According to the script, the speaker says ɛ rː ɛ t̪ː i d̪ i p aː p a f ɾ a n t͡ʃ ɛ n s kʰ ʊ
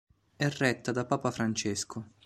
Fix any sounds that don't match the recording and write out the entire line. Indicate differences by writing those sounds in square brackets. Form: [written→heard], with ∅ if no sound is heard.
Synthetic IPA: ɛ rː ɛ t̪ː [i→a] d̪ [i→a] p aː p a f ɾ a n t͡ʃ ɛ [n→∅] s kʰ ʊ